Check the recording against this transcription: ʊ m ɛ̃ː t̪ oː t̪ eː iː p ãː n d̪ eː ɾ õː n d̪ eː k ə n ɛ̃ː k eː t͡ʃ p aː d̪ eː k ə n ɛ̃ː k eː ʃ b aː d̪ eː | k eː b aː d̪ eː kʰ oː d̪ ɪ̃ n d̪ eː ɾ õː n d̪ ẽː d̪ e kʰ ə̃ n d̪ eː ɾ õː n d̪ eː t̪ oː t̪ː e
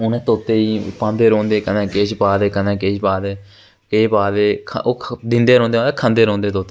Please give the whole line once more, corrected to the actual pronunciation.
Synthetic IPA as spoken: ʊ n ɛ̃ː t̪ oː t̪ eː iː p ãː n d̪ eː ɾ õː n d̪ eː k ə n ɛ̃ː k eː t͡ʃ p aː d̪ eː k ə n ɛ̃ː k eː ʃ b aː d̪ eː | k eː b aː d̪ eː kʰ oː d̪ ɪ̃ n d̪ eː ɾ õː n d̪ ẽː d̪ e kʰ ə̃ n d̪ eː ɾ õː n d̪ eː t̪ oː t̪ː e

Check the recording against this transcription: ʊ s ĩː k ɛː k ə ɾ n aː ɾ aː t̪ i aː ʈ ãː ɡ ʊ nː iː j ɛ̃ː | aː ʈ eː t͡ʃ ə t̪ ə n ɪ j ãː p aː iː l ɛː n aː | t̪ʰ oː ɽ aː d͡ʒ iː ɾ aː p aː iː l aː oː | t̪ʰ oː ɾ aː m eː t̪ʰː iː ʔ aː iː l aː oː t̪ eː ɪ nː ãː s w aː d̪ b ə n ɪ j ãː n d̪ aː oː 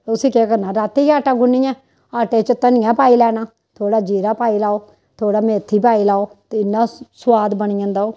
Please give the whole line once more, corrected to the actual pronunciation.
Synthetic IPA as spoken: ʊ s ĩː k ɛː k ə ɾ n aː ɾ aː t̪ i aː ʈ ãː ɡ ʊ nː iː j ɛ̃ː | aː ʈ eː t͡ʃ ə t̪ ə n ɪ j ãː p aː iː l ɛː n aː | t̪ʰ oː ɽ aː d͡ʒ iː ɾ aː p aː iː l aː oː | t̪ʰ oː ɽ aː m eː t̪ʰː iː p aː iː l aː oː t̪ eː ɪ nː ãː s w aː d̪ b ə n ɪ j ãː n d̪ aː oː

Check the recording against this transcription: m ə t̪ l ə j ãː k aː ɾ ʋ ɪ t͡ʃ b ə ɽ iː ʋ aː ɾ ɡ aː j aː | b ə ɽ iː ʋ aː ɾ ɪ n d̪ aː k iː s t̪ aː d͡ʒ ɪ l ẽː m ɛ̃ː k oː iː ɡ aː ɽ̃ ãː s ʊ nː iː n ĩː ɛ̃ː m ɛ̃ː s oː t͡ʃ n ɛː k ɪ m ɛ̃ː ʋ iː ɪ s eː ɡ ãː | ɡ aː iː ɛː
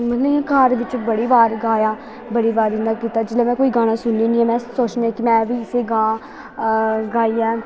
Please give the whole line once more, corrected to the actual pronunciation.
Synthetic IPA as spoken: m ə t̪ l ə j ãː k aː ɾ ʋ ɪ t͡ʃ b ə ɽ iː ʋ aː ɾ ɡ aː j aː | b ə ɽ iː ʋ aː ɾ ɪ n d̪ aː k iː t̪ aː d͡ʒ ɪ l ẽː m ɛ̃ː k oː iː ɡ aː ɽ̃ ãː s ʊ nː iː n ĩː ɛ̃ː m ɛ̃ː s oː t͡ʃ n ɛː k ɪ m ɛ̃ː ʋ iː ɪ s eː ɡ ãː | ɡ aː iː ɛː

